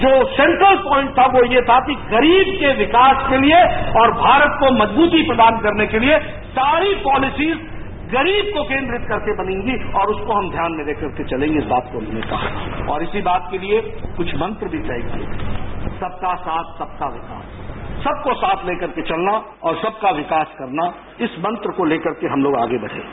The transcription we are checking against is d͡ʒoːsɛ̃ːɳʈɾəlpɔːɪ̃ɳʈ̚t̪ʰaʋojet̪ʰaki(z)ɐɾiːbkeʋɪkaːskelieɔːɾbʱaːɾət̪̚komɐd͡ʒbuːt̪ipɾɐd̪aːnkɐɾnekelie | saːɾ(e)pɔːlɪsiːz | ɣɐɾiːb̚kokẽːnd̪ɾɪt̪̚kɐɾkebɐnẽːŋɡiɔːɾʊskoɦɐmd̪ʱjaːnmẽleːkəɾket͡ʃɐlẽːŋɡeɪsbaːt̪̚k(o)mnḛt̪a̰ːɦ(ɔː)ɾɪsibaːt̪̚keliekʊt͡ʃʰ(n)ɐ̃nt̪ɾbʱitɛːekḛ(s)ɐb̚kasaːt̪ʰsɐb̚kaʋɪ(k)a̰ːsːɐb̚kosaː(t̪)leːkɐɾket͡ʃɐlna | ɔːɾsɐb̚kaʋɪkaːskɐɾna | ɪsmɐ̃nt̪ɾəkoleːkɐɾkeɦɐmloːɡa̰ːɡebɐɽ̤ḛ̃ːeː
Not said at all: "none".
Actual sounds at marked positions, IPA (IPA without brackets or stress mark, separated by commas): ɣ, i, o, ɔː, m, s, k, t̪ʰ